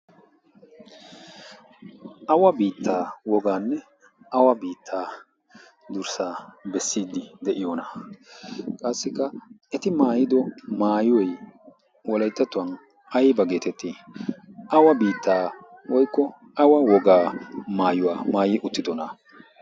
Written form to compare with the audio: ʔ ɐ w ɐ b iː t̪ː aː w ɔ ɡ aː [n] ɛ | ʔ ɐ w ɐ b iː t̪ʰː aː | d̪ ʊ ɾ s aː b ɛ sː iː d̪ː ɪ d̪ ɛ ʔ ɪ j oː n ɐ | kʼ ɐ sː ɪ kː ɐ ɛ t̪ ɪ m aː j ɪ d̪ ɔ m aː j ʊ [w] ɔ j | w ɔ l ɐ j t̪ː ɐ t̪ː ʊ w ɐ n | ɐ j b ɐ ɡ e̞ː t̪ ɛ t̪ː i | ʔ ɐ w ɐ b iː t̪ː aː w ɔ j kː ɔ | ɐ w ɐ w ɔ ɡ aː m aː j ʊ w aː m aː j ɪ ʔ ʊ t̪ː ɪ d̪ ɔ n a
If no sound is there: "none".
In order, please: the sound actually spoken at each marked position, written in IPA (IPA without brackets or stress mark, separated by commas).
nː, w